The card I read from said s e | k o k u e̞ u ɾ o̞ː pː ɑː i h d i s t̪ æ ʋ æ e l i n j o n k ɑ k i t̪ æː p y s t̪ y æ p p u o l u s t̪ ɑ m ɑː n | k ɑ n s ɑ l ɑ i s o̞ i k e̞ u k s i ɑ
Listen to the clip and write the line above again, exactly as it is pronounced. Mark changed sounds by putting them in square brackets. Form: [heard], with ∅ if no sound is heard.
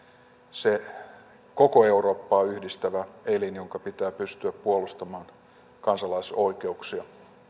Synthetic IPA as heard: s e | k o k [o] e̞ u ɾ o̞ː pː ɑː [y] h d i s t̪ æ ʋ æ e l i n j o [ŋ] k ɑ [p] i t̪ æː p y s t̪ y æ p p u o l u s t̪ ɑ m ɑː n | k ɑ n s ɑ l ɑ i s o̞ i k e̞ u k s i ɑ